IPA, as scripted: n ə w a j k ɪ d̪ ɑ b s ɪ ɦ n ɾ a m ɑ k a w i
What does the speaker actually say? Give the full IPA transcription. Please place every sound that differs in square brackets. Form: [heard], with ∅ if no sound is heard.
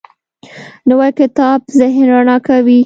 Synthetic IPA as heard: n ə w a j k ɪ [t̪] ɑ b [z] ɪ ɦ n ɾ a [n] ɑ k a w i